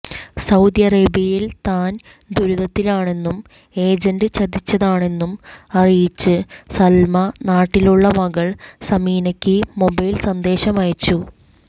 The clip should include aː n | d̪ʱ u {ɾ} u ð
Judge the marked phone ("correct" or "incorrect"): correct